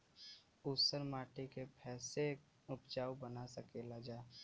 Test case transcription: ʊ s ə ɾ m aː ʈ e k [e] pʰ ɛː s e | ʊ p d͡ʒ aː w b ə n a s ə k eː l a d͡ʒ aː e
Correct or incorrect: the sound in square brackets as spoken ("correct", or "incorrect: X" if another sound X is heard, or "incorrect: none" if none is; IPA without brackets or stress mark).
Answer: correct